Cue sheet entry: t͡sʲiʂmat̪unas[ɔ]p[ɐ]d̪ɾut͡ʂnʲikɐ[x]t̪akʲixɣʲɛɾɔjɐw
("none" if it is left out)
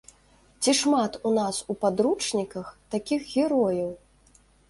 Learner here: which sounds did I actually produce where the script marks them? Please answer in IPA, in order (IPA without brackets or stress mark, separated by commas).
u, a, x